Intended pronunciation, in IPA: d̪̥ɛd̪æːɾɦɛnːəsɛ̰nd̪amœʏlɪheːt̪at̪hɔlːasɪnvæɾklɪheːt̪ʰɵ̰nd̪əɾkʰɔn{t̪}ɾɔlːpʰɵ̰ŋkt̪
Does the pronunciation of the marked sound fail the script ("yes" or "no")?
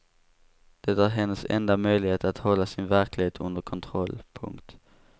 yes